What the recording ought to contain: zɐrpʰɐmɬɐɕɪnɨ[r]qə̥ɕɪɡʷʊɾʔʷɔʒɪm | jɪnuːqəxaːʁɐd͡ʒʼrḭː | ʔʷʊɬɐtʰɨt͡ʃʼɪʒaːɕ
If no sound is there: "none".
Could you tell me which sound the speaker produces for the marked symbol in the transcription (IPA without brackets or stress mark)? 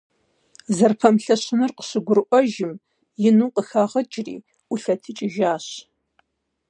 r